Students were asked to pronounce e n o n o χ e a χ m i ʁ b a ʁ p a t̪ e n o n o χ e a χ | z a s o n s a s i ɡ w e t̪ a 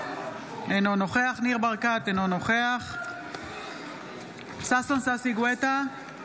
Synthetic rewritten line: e n o n o χ e a χ n i ʁ b a ʁ k a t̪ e n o n o χ e a χ | s a s o n s a s i ɡ w e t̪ a